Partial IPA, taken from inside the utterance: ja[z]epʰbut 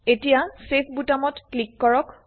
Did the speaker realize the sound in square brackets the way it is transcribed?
no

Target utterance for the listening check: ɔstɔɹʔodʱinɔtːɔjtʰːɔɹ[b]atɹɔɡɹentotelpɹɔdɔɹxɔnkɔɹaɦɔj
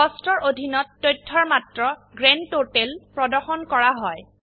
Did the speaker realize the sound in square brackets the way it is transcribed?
no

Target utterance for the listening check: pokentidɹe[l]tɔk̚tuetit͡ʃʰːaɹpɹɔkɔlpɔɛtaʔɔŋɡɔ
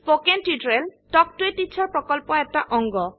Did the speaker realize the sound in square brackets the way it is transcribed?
yes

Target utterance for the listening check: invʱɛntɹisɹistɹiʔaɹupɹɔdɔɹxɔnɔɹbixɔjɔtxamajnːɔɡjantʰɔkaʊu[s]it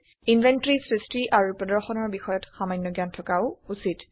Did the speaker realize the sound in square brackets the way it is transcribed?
yes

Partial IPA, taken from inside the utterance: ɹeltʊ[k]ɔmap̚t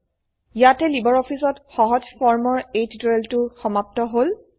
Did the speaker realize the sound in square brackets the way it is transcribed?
no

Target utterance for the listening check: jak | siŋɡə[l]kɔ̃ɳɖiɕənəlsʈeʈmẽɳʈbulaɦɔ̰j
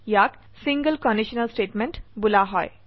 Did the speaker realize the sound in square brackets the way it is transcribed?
yes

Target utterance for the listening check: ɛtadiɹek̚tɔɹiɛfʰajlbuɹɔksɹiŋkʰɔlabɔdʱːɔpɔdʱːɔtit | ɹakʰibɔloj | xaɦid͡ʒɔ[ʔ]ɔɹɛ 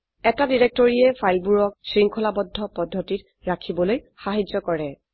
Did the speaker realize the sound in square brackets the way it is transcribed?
no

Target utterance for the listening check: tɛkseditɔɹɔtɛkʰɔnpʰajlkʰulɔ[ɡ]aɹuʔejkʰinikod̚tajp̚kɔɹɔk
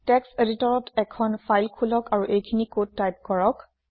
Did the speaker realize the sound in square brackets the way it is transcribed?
no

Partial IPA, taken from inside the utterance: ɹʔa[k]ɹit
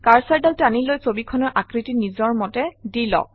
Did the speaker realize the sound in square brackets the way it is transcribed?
yes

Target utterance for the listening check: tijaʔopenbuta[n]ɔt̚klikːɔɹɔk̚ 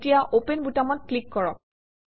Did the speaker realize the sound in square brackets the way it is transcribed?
no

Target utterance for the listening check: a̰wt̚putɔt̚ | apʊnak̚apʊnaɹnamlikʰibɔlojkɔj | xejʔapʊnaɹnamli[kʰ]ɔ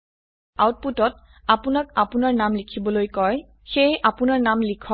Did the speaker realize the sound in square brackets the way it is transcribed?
yes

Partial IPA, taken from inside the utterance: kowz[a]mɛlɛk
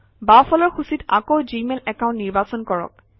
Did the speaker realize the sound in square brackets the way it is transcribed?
no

